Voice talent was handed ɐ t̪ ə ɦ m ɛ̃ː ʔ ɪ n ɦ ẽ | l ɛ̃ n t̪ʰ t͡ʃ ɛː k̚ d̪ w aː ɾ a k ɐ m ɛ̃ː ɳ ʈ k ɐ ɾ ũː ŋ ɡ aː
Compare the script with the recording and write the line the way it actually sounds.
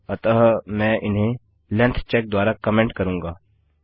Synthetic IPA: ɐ t̪ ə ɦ m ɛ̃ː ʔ ɪ n ɦ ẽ | l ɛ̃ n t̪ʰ t͡ʃ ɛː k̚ d̪ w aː ɾ a k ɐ m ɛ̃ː ɳ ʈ k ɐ ɾ ũː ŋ ɡ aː